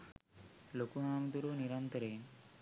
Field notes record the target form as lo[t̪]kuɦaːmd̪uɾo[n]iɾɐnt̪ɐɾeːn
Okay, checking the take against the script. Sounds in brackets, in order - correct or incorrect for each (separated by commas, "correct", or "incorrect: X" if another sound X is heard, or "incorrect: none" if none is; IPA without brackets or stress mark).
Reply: incorrect: none, correct